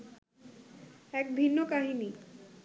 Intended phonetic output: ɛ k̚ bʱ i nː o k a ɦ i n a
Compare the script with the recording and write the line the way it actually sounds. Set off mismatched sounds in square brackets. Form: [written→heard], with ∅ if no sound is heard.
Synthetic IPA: ɛ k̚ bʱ i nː o k a ɦ i n [a→i]